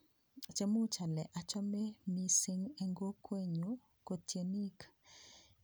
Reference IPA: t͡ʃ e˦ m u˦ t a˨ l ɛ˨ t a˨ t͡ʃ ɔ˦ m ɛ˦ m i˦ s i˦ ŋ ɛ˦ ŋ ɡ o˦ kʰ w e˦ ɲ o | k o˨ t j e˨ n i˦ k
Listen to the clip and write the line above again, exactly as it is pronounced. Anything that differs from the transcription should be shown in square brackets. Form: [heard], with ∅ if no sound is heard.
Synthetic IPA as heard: t͡ʃ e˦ m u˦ [t͡ʃ] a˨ l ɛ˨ [ʔ] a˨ t͡ʃ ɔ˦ m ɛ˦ m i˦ s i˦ ŋ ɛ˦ ŋ ɡ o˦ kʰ w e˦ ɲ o | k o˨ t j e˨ n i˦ k